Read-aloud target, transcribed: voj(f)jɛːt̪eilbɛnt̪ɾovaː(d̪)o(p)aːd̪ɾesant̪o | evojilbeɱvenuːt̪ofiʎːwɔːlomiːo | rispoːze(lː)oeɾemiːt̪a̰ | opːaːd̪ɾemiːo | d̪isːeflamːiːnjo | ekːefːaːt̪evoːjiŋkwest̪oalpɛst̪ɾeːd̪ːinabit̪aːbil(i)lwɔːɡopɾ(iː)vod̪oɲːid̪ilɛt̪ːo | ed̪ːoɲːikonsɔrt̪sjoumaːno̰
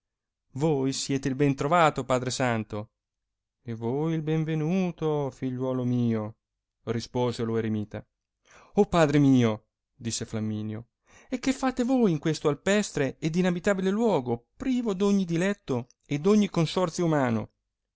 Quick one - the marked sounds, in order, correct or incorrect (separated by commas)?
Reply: incorrect, incorrect, correct, incorrect, incorrect, correct